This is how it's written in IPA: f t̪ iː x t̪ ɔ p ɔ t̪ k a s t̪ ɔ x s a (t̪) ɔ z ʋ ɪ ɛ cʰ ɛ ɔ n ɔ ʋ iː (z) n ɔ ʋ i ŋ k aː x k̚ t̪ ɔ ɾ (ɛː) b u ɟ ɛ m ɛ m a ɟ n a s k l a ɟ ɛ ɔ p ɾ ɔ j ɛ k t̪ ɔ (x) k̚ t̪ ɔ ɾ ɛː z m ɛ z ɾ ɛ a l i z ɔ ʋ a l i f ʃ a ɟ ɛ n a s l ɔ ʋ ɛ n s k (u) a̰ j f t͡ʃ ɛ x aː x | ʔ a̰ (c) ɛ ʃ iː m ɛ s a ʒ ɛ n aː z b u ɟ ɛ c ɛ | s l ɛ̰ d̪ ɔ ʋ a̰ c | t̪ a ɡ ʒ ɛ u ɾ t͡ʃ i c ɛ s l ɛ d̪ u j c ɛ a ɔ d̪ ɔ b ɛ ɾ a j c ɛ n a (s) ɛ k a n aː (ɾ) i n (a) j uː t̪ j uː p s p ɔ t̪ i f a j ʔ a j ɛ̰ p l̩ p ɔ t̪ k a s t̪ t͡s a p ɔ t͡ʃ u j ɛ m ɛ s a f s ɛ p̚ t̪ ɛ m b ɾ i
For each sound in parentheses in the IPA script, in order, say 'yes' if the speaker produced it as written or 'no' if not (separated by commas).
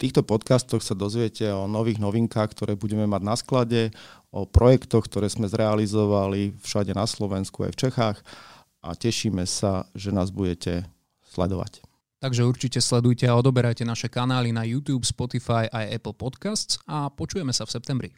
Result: no, no, yes, yes, yes, yes, no, no, yes